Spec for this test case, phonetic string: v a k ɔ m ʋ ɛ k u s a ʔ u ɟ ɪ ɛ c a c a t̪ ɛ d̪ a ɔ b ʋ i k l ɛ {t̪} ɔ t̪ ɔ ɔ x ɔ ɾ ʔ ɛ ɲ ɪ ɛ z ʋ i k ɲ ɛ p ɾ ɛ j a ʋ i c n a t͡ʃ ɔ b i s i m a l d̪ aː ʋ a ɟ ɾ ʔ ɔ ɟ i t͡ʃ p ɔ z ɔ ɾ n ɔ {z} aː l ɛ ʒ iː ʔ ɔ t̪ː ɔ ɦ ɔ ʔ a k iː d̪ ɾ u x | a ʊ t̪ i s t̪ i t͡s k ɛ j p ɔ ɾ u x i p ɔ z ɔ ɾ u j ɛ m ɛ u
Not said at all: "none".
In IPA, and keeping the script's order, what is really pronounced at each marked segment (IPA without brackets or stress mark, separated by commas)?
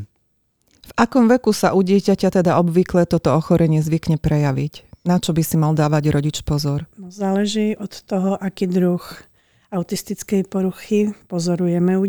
t̪, z